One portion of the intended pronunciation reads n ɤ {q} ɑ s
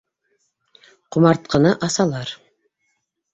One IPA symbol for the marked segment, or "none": ʔ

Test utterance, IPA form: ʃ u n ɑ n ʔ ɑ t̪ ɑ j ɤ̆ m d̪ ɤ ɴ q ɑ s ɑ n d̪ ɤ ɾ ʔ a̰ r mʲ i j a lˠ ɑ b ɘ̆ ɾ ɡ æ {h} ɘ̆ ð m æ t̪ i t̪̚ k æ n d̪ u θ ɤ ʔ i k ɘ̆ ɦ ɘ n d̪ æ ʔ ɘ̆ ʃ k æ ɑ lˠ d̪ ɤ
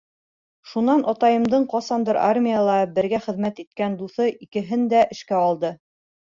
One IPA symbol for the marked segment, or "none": χ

